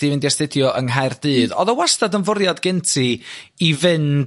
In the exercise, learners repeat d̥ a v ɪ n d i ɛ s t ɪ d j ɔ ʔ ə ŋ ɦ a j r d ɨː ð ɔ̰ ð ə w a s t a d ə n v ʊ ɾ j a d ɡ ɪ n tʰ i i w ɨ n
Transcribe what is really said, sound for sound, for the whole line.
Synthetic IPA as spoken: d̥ i v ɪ n d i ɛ s t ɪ d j ɔ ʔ ə ŋ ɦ a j r d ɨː ð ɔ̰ ð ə w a s t a d ə n v ʊ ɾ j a d ɡ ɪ n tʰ i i v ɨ n

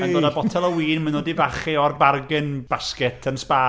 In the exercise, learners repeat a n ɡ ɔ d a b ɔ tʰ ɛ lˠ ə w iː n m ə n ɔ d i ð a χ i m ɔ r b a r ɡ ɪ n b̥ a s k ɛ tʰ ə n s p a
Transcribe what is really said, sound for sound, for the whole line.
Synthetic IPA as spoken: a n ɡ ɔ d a b ɔ tʰ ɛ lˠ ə w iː n m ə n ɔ d i v a χ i ɔ r b a r ɡ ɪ n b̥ a s k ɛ tʰ ə n s p a

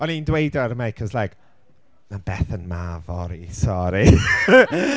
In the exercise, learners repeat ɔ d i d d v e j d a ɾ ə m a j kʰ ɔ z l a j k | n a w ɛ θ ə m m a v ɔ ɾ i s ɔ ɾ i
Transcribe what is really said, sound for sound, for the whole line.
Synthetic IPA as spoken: ɔ n i n d w e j d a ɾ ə m a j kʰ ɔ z l a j k | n a b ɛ θ ə n m a v ɔ ɾ i s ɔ ɾ i

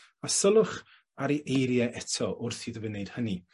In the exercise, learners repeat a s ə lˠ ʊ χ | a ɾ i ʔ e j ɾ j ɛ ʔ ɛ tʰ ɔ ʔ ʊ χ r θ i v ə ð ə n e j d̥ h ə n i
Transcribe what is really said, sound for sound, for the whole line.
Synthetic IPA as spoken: a s ə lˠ ʊ χ | a ɾ i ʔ e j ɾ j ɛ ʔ ɛ tʰ ɔ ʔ ʊ r θ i ð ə v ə n e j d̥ h ə n i

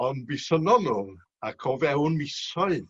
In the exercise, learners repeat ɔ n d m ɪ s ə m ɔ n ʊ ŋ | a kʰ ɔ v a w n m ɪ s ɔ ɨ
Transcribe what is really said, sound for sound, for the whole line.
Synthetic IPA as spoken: ɔ n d b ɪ s ə n ɔ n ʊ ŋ | a kʰ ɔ v ɛ w n m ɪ s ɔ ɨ

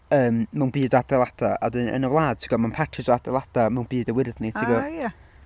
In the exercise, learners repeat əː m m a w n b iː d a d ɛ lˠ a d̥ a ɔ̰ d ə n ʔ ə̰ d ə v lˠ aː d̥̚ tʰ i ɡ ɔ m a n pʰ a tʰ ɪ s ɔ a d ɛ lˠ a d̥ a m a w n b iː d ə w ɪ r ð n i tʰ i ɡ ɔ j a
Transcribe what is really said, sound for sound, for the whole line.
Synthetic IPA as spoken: əː m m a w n b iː d a d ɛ lˠ a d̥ a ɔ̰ d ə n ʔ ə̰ n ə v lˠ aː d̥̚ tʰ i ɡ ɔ m a n pʰ a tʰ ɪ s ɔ a d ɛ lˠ a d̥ a m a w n b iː d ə w ɪ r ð n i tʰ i ɡ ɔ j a

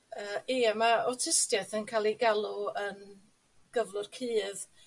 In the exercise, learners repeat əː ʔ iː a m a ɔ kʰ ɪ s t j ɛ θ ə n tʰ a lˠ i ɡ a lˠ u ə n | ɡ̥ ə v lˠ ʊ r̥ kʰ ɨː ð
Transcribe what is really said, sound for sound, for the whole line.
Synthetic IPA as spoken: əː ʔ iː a m a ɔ tʰ ɪ s t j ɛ θ ə n kʰ a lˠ i ɡ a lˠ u ə n | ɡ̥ ə v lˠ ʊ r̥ kʰ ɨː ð

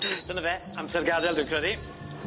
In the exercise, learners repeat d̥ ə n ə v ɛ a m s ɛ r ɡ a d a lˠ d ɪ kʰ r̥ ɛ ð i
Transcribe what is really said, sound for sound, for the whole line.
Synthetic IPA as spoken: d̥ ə n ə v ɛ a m s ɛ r ɡ a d ɛ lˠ d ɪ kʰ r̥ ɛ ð i

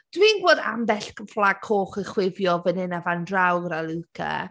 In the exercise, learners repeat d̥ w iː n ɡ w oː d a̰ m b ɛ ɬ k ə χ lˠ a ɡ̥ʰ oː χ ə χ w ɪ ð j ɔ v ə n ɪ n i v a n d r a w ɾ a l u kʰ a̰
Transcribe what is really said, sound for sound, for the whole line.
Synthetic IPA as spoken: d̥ w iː n ɡ w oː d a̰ m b ɛ ɬ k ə f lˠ a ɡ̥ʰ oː χ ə χ w ɪ v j ɔ v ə n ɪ n a v a n d r a w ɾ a l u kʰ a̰

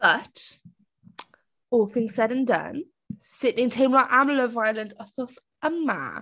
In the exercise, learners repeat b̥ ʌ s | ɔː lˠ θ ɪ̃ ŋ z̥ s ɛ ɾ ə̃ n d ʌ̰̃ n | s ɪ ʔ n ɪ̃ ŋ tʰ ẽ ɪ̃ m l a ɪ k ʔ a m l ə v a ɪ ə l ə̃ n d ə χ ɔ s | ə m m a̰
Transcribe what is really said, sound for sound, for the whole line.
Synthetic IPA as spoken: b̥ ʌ t | ɔː lˠ θ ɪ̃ ŋ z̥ s ɛ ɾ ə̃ n d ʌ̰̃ n | s ɪ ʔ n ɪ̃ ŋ tʰ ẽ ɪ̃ m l a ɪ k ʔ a m l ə v a ɪ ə l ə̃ n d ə θ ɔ s | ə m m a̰

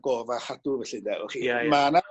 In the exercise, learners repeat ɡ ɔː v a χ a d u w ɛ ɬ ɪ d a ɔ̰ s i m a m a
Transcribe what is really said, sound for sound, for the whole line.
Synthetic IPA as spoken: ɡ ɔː v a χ a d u v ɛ ɬ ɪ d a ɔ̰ χ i m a n a

